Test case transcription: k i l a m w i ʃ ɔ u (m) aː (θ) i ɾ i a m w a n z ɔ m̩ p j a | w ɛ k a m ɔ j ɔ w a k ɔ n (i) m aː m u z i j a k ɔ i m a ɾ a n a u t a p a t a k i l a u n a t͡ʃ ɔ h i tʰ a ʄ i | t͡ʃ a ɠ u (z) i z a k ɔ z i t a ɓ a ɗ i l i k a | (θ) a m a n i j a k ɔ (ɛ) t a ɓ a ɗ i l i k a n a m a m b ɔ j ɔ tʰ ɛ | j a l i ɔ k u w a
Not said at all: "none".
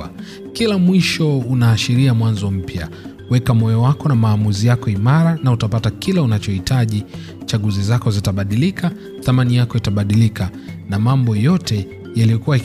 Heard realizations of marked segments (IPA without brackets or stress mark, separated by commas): n, ʃ, a, z, θ, i